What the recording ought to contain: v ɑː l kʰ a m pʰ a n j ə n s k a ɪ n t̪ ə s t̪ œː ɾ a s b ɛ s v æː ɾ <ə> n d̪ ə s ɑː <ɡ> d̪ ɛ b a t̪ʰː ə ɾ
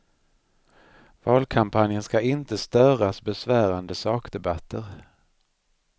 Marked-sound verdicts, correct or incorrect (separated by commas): incorrect, incorrect